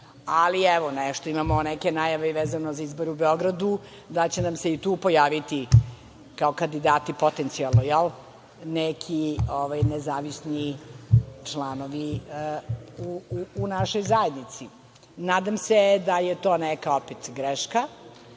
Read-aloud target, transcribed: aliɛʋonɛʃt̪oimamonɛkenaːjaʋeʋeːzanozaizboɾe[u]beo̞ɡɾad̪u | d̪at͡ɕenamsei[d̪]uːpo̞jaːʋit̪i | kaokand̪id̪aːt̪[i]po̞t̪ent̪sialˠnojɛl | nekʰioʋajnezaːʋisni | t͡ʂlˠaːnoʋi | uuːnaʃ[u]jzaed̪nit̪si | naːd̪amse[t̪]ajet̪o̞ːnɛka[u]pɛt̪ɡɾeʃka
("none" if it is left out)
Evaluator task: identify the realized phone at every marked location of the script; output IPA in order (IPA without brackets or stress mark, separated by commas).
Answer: u, t̪, i, o, d̪, o